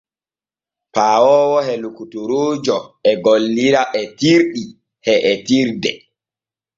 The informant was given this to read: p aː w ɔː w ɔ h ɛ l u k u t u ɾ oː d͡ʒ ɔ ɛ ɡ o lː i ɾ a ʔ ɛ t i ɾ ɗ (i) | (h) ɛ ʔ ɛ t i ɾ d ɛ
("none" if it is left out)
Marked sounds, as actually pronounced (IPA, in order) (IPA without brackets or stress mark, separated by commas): i, h